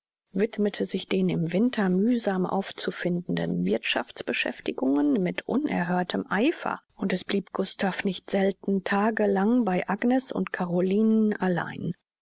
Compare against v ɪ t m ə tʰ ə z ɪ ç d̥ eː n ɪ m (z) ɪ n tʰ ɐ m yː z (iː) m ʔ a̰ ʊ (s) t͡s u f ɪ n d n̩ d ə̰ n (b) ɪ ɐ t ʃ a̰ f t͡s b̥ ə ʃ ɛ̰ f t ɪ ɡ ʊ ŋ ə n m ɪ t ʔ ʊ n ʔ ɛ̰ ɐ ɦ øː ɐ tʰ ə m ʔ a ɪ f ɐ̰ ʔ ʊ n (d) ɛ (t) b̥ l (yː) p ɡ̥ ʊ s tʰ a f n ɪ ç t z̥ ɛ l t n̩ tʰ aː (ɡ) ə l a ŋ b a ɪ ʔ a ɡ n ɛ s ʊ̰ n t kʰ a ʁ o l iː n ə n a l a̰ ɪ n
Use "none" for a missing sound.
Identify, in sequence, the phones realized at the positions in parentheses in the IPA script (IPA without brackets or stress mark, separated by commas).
v, aː, f, v, t, s, iː, ɡ